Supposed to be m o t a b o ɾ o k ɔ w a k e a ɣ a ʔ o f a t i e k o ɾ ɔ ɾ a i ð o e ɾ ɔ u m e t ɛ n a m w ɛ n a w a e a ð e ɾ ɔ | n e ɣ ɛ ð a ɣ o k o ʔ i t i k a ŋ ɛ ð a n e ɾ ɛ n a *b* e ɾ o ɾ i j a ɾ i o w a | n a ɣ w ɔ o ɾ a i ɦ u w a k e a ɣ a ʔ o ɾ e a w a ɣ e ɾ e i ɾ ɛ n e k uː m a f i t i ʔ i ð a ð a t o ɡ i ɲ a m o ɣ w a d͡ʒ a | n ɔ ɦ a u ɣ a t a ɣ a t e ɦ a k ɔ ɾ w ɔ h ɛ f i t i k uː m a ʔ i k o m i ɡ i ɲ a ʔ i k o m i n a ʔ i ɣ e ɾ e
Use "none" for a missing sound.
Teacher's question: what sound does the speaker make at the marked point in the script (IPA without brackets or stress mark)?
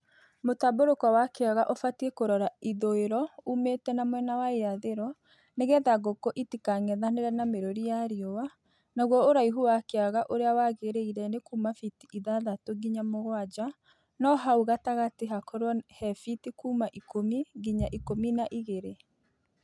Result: m